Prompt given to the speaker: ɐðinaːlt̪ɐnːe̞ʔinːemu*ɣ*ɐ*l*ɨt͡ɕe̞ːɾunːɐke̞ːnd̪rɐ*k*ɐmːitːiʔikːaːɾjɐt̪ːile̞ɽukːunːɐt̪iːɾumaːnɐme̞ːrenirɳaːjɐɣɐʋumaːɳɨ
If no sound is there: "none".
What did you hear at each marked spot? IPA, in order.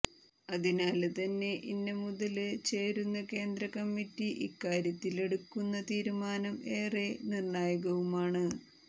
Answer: ð, l, k

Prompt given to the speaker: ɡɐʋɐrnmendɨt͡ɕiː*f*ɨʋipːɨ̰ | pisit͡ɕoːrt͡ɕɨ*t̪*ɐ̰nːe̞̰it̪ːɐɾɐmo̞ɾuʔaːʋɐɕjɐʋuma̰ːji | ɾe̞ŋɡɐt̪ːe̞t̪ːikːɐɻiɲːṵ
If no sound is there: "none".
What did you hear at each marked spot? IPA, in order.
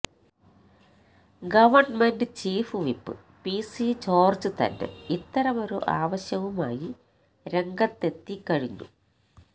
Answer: f, t̪

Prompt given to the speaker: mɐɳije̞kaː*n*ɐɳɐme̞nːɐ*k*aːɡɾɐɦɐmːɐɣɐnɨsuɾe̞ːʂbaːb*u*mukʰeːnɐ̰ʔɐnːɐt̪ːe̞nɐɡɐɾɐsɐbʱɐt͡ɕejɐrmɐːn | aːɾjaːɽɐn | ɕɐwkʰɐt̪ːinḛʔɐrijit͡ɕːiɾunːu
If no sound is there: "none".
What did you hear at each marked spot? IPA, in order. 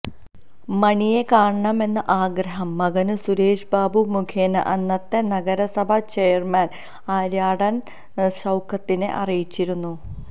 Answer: ɳ, ʔ, u

